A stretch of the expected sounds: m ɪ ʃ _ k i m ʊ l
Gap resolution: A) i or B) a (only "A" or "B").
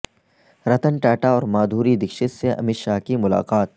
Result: B